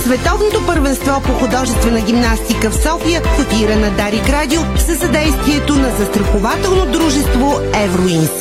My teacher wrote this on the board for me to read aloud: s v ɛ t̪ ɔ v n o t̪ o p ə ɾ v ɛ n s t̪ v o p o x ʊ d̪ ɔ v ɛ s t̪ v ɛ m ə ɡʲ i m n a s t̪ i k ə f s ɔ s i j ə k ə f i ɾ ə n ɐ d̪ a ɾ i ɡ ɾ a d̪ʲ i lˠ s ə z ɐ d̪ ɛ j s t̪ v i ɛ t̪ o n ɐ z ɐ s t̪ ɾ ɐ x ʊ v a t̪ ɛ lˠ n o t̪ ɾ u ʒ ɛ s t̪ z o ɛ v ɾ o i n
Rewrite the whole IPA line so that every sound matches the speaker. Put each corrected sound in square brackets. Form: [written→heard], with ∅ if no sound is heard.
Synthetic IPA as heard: s v ɛ t̪ ɔ v n o t̪ o p ə ɾ v ɛ n s t̪ v [o→ɔ] p o x ʊ d̪ ɔ [v→ʒ] ɛ s t̪ v ɛ [m→n] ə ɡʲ i m n a s t̪ i k ə f s ɔ [s→f] i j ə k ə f i ɾ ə n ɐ d̪ a ɾ i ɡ ɾ a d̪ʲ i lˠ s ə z ɐ d̪ ɛ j s t̪ v i ɛ t̪ o n ɐ z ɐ s t̪ ɾ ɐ x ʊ v a t̪ ɛ lˠ n o [t̪→d̪] ɾ u ʒ ɛ s t̪ [z→v] o ɛ v ɾ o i n